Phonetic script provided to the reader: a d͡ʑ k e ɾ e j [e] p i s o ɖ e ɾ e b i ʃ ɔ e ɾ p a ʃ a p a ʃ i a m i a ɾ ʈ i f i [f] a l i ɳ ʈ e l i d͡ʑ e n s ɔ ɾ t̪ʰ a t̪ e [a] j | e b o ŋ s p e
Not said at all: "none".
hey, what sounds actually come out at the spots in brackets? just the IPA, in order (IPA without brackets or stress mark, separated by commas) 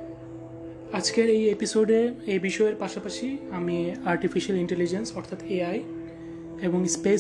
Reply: e, ʃ, a